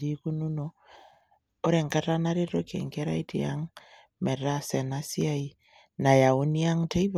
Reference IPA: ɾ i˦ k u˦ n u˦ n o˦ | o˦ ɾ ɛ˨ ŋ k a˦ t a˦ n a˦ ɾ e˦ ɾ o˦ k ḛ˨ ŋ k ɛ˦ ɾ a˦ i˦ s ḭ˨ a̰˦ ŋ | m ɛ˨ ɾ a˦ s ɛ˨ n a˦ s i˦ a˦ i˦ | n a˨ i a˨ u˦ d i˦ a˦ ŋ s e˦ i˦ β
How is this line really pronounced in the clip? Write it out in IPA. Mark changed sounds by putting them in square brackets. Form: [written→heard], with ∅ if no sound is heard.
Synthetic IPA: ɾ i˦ k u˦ n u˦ n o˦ | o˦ ɾ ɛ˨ ŋ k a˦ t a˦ n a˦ ɾ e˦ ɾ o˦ k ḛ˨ ŋ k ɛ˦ ɾ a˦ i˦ [s→t] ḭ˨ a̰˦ ŋ | m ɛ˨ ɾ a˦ s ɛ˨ n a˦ s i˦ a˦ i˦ | n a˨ [i→j] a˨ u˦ [d→n] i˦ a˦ ŋ [s→t] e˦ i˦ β